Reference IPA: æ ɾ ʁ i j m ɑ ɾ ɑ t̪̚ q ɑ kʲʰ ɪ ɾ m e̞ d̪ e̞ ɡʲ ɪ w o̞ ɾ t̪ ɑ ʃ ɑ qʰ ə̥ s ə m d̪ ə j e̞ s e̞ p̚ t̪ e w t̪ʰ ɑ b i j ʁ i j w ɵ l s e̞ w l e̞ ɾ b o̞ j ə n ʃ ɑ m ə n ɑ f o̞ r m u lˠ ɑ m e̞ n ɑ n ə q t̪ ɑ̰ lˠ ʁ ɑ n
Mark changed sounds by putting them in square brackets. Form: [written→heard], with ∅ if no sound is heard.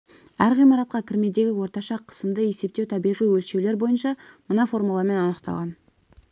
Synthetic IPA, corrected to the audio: æ ɾ ʁ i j m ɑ ɾ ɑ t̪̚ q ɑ kʲʰ ɪ ɾ m e̞ d̪ e̞ ɡʲ ɪ w o̞ ɾ t̪ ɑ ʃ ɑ qʰ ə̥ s ə m d̪ ə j e̞ s e̞ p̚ t̪ e w t̪ʰ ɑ b i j ʁ i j w ɵ l [s→ʃ] e̞ w l e̞ ɾ b o̞ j ə n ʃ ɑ m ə n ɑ f o̞ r m u lˠ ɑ m e̞ n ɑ n ə q t̪ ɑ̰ lˠ ʁ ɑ n